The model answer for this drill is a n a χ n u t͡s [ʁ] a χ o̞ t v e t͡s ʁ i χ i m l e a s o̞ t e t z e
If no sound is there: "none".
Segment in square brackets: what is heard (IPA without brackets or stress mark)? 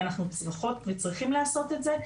ʁ